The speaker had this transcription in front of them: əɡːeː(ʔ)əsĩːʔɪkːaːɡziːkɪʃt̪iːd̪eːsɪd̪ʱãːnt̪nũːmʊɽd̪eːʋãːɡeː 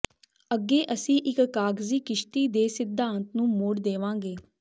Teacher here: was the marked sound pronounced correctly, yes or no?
yes